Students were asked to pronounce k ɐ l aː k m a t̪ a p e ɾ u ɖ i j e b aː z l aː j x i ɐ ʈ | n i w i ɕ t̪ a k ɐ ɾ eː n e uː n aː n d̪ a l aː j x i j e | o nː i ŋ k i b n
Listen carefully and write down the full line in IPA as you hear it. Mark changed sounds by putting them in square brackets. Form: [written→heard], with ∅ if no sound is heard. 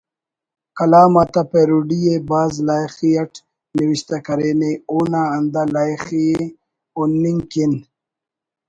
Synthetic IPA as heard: k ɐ l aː [k→∅] m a t̪ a p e ɾ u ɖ i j e b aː z l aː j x i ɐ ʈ | n i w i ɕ t̪ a k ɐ ɾ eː n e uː n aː n d̪ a l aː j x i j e | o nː i ŋ k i [b→∅] n